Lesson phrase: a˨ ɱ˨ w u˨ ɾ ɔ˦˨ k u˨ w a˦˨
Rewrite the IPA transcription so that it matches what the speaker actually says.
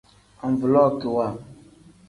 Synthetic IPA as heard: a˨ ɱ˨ v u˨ l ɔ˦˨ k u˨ w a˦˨

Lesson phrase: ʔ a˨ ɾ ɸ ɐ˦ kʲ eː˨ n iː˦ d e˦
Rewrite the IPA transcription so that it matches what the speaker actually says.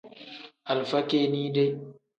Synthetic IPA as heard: ʔ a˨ l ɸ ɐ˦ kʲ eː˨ n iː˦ d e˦

